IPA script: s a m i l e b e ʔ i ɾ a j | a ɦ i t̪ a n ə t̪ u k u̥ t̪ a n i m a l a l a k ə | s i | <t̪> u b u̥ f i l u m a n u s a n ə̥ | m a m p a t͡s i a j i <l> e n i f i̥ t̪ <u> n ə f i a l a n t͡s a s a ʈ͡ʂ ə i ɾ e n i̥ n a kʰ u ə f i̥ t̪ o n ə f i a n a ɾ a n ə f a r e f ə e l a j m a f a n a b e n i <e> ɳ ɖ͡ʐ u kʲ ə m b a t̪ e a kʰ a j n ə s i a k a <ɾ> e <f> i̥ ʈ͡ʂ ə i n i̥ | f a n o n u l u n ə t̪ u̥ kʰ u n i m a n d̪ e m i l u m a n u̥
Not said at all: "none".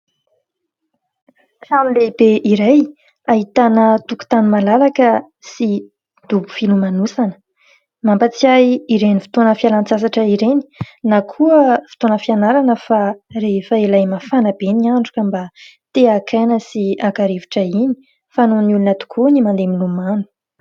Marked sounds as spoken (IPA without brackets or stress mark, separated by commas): d̪, ɾ, o, a, ɾ, v